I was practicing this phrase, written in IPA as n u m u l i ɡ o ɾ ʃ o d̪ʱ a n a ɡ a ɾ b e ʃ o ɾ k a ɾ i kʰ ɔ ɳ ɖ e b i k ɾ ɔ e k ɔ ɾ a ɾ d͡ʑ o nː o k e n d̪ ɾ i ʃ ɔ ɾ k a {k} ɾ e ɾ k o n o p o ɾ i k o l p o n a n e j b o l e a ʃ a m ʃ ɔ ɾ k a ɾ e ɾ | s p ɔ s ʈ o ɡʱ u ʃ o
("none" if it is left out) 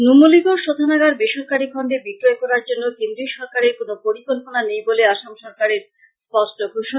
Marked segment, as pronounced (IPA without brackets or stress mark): none